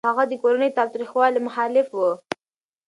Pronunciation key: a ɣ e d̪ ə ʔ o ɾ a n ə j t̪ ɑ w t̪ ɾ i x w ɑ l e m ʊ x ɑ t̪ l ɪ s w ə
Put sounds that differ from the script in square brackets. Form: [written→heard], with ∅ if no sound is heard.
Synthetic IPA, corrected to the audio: a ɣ [e→a] d̪ ə [ʔ→k] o ɾ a n ə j t̪ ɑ w t̪ ɾ i x w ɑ l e m ʊ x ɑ [t̪→∅] l ɪ [s→f] w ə